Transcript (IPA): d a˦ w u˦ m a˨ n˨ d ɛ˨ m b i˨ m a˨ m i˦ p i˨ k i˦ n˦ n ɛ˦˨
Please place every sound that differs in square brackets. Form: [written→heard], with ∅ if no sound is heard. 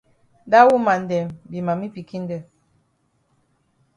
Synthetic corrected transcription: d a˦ w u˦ m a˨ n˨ d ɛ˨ m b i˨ m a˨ m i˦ p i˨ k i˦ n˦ [n→d] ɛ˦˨

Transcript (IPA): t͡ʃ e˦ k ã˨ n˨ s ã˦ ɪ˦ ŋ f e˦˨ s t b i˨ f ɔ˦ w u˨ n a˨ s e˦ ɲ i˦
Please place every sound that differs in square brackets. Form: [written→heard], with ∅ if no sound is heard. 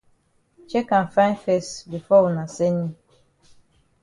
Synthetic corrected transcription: t͡ʃ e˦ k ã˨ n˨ [s→f] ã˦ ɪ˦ [ŋ→n] f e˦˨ s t b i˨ f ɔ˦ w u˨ n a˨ s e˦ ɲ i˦

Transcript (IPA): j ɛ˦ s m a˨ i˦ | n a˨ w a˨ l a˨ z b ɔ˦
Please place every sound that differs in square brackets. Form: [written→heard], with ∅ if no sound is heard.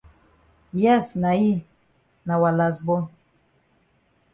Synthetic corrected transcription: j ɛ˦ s [m→n] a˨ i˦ | n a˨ w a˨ l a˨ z b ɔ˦

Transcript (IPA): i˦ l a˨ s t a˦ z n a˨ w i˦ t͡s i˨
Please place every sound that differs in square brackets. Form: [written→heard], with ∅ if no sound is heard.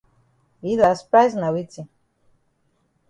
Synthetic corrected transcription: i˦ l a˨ s [t→p] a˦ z n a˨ w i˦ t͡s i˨

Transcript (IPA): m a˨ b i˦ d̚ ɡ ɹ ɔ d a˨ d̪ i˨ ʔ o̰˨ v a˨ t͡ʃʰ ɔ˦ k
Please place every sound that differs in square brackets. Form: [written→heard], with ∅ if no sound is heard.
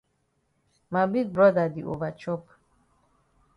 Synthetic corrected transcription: m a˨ b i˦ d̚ [ɡ→b] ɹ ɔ d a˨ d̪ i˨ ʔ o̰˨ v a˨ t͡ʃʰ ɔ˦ [k→p]

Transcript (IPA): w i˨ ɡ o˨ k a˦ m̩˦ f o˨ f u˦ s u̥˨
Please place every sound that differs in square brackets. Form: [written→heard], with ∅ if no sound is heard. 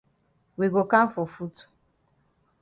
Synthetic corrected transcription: w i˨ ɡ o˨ k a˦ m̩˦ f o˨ f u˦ [s→t] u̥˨

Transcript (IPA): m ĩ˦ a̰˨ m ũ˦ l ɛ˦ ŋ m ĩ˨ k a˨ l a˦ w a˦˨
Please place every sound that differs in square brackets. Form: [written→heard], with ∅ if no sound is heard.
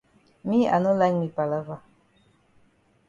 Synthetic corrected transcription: m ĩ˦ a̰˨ [m→n] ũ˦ l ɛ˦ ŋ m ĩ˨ [k→p] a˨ l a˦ [w→v] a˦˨

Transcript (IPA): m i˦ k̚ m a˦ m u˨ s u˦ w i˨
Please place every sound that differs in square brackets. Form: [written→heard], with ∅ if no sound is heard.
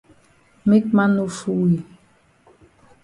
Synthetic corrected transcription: m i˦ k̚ m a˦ [m→n] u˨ [s→f] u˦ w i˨

